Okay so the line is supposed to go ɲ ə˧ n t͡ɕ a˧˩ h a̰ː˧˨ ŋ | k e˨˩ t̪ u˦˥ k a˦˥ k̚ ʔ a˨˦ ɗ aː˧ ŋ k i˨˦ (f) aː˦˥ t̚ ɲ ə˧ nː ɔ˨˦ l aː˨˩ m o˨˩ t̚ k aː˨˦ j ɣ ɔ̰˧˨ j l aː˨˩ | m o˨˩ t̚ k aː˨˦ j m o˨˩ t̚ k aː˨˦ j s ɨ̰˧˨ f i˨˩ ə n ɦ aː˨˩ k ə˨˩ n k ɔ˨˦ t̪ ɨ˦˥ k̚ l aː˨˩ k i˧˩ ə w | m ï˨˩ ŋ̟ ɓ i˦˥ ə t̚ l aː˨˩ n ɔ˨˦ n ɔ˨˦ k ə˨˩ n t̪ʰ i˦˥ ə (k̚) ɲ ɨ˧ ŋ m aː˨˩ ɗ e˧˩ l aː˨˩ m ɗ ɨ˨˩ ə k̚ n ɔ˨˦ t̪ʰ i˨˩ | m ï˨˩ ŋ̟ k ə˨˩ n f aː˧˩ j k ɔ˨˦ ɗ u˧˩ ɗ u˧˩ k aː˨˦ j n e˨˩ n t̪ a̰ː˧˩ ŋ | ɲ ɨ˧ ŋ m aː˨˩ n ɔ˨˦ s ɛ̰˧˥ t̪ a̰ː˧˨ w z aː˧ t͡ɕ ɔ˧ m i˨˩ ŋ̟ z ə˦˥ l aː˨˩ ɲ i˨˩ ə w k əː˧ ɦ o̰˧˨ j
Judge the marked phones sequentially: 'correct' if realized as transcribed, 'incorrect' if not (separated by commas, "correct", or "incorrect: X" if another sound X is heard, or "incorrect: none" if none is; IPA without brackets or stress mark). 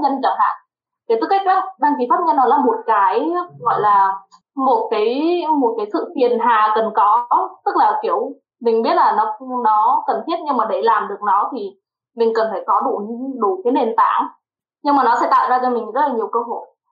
correct, incorrect: t̚